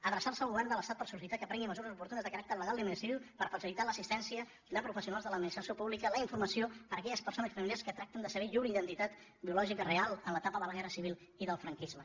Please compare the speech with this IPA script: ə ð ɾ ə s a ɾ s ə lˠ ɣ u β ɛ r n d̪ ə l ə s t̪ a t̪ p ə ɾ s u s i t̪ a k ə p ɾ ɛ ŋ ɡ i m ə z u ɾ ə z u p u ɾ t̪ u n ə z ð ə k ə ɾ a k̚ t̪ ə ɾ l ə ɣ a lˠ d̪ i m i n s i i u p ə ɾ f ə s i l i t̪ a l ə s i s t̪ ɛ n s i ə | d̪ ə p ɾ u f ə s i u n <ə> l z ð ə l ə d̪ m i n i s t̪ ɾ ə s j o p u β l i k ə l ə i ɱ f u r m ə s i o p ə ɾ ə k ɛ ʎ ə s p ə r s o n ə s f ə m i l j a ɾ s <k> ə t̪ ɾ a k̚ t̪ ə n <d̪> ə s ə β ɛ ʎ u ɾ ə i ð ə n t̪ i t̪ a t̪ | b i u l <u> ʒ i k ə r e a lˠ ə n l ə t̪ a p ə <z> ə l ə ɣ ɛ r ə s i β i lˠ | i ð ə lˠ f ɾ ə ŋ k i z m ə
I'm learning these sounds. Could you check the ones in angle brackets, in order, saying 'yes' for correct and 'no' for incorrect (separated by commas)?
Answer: no, yes, yes, no, no